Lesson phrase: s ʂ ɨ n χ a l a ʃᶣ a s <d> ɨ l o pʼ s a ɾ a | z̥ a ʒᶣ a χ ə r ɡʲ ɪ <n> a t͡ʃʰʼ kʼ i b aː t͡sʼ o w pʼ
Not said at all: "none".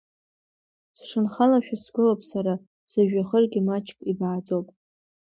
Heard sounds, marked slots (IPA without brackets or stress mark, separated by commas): ɡ, m